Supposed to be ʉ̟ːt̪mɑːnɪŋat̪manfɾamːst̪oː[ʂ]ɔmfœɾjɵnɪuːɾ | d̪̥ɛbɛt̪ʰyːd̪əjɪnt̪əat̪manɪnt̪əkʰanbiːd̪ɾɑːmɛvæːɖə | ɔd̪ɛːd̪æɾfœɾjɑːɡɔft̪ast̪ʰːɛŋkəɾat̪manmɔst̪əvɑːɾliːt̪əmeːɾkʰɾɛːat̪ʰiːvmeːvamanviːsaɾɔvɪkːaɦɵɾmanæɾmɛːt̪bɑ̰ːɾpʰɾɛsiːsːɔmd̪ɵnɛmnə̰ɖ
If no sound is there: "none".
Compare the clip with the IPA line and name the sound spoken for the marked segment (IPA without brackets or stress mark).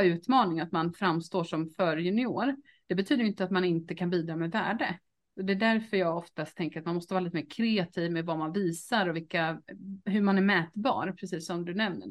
ʂ